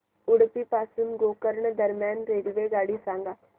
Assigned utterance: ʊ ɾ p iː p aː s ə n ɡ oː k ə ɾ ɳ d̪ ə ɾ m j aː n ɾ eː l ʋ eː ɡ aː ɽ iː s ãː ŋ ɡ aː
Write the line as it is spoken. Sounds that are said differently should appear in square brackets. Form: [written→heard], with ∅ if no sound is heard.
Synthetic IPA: ʊ [ɾ→ɽ] p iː p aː s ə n ɡ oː k ə ɾ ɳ d̪ ə ɾ m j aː n ɾ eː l ʋ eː ɡ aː ɽ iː s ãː ŋ ɡ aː